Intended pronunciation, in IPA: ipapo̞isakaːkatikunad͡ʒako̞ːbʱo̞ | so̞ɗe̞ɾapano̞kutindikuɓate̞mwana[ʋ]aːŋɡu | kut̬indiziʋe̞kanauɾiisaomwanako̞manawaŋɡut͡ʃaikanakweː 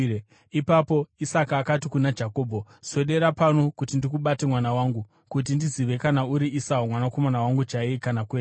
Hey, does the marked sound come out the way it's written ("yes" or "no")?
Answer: no